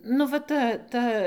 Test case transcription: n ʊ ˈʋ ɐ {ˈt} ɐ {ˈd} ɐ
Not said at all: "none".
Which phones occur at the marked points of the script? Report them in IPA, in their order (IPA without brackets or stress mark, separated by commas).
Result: t, t